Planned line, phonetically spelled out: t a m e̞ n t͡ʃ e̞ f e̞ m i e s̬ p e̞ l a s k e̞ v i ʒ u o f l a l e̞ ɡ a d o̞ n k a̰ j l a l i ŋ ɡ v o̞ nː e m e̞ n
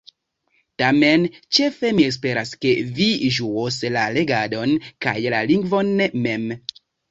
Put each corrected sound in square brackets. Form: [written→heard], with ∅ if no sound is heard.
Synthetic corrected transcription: t a m e̞ n t͡ʃ e̞ f e̞ m i e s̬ p e̞ [l→ɾ] a s k e̞ v i ʒ u o [f→s] l a l e̞ ɡ a d o̞ n k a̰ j l a l i ŋ ɡ v o̞ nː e m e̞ [n→m]